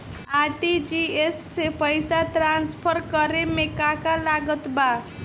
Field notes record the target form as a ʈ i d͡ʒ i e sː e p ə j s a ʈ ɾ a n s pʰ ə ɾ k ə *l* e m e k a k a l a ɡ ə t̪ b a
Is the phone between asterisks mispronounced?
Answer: yes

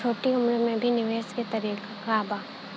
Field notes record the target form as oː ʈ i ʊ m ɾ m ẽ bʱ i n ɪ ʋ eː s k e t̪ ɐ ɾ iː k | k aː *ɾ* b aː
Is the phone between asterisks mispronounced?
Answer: yes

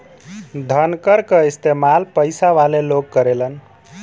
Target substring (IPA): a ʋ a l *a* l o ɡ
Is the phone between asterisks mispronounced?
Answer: yes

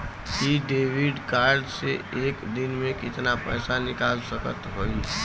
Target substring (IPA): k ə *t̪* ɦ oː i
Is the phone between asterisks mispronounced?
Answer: no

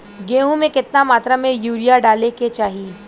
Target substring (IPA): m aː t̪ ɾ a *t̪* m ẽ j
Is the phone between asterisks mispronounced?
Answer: yes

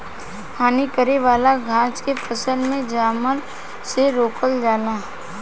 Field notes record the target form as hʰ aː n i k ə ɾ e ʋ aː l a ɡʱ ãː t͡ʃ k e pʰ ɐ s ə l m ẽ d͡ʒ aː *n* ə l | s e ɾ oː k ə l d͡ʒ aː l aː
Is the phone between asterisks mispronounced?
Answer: yes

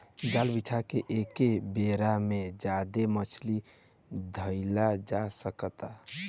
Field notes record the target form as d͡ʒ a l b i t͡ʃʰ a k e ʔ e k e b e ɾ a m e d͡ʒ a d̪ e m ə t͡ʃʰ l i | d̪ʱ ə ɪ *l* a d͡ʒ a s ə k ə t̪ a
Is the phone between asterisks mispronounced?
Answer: no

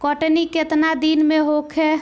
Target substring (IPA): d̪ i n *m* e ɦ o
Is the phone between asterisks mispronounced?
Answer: no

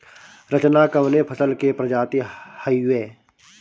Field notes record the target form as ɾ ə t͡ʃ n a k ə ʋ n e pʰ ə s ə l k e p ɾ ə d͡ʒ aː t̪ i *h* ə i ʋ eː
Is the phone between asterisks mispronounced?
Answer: no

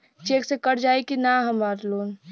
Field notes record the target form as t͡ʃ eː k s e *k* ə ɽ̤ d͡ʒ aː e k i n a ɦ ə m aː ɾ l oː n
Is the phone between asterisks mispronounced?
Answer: no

